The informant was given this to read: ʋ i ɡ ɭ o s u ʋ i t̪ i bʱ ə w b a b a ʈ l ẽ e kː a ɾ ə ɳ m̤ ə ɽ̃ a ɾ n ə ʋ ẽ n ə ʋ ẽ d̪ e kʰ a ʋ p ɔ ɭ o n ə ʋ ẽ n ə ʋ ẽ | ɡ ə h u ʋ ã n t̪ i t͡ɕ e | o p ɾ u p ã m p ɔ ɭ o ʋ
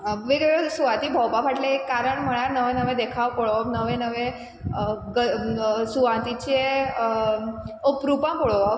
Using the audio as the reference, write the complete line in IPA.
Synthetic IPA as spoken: ʋ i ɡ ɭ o s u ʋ a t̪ i bʱ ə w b a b a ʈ l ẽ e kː a ɾ ə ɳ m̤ ə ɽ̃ a ɾ n ə ʋ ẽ n ə ʋ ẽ d̪ e kʰ a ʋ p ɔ ɭ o n ə ʋ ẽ n ə ʋ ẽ | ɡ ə s u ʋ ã n t̪ i t͡ɕ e | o p ɾ u p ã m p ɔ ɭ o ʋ